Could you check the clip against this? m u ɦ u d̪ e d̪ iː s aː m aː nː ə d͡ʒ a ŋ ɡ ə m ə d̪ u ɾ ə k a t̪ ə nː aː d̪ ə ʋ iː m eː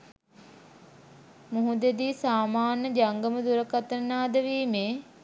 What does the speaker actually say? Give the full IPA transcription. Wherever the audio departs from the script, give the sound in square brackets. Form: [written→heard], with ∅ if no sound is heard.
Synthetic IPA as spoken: m u ɦ u d̪ e d̪ iː s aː m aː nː ə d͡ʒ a ŋ ɡ ə m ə d̪ u ɾ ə k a t̪ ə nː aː d̪ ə ʋ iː m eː